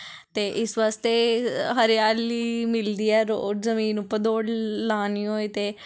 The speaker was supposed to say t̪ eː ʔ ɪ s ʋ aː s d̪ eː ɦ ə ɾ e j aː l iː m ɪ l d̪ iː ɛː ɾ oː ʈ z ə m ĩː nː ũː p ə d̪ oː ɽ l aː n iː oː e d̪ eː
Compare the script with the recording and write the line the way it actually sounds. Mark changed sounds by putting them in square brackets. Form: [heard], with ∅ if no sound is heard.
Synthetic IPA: t̪ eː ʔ ɪ s ʋ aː s [t̪] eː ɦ ə ɾ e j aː l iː m ɪ l d̪ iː ɛː ɾ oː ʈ z ə m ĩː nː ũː p ə d̪ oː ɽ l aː n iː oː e [t̪] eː